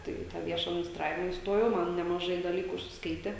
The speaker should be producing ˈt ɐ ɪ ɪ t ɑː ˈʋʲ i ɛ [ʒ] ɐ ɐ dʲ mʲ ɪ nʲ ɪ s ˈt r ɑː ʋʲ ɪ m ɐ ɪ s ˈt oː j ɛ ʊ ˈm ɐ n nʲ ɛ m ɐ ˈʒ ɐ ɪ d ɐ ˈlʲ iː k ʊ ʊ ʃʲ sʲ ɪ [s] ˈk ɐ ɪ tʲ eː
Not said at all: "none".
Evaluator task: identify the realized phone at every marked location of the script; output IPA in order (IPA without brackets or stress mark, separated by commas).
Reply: ʃ, s